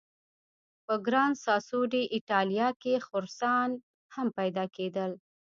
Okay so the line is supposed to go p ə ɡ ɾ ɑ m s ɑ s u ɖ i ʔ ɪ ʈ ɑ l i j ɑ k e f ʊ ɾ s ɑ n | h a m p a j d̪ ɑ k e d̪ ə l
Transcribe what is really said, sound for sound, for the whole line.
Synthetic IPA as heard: p ə ɡ ɾ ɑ n s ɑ s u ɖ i ʔ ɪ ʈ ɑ l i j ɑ k e x ʊ ɾ s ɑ n | h a m p a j d̪ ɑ k e d̪ ə l